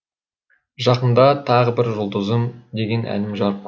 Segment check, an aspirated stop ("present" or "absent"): present